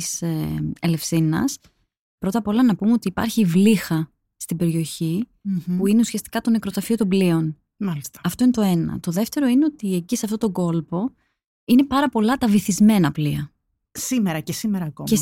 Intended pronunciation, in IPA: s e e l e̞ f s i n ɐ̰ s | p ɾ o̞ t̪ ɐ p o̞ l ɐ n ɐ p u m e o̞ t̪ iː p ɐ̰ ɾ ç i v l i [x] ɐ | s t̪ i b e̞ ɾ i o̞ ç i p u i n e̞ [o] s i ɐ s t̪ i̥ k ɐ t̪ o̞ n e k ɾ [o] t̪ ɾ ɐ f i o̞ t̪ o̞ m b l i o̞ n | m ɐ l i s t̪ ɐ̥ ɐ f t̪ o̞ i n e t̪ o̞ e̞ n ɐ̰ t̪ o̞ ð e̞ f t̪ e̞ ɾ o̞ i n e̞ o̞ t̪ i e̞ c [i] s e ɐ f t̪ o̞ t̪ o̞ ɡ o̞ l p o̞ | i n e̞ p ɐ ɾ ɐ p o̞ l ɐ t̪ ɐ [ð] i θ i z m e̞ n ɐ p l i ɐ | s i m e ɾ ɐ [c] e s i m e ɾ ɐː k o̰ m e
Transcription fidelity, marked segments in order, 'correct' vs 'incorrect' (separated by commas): correct, incorrect, correct, correct, incorrect, correct